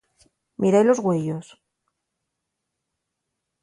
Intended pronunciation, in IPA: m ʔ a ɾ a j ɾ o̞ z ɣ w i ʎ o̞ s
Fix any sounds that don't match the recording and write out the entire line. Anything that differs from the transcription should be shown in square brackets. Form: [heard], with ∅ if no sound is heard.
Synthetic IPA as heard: m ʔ [i] ɾ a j [l] o̞ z ɣ w [e] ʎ o̞ s